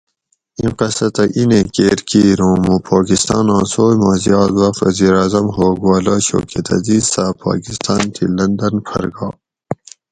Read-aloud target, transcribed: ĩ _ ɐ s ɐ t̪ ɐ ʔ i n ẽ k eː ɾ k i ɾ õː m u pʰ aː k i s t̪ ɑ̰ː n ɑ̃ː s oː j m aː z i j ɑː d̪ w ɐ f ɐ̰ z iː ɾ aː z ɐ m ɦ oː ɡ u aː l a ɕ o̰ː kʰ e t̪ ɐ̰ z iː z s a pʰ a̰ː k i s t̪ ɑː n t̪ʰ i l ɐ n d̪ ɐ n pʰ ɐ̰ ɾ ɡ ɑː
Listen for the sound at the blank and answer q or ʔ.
q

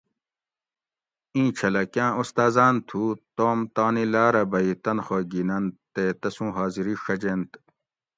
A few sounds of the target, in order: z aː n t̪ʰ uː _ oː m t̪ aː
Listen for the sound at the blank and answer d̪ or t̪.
t̪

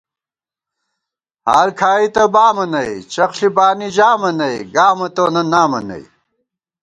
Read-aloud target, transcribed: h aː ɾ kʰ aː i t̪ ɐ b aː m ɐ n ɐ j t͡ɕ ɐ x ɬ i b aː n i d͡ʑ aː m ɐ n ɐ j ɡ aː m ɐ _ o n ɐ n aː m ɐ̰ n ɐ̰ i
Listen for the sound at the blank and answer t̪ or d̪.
t̪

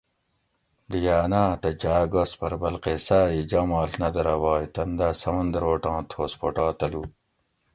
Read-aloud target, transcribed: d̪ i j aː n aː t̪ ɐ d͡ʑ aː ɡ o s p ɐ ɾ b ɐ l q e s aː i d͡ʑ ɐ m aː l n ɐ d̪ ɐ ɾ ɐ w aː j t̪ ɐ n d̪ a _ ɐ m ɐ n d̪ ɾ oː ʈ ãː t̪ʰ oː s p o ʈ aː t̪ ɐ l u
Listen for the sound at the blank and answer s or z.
s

